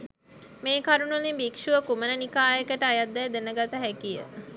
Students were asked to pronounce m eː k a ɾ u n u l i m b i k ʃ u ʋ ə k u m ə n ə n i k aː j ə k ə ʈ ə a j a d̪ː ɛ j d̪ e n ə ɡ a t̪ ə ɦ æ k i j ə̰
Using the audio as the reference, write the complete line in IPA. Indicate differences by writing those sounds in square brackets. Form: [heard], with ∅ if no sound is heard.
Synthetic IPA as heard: m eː k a ɾ u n u l i m b i k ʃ u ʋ ə k u m ə n ə n i k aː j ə k ə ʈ ə a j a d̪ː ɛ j d̪ e n ə ɡ a t̪ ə ɦ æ k i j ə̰